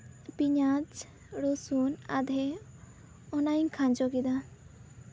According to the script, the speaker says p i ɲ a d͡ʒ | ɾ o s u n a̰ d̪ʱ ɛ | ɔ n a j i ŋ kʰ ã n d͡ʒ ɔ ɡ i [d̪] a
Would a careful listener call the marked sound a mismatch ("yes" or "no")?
no